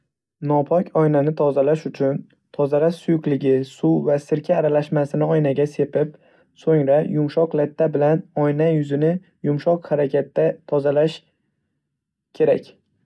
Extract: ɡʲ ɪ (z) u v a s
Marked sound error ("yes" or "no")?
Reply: yes